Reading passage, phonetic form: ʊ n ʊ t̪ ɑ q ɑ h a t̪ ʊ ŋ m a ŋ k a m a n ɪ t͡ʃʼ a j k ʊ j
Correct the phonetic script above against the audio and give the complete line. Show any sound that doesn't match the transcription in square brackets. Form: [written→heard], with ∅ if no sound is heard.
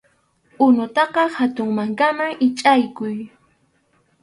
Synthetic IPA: ʊ n ʊ t̪ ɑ q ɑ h a t̪ ʊ ŋ m a ŋ k a m a [n→ŋ] ɪ t͡ʃʼ a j k ʊ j